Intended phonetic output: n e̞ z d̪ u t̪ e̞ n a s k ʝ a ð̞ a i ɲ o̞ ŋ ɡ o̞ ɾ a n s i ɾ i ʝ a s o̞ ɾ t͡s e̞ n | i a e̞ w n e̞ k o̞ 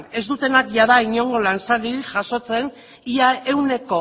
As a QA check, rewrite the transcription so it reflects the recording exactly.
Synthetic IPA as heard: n e̞ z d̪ u t̪ e̞ n a k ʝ a ð̞ a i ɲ o̞ ŋ ɡ o̞ l a n s a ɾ i ʝ a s o̞ t͡s e̞ n | i a e̞ w n e̞ k o̞